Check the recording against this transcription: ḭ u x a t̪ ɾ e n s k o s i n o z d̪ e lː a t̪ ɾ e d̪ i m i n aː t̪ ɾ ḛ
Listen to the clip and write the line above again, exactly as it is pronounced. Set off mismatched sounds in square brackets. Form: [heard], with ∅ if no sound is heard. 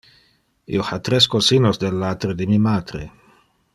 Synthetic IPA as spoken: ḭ [o] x a t̪ ɾ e [∅] s k o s i n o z d̪ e lː a t̪ ɾ e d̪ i m i [m] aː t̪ ɾ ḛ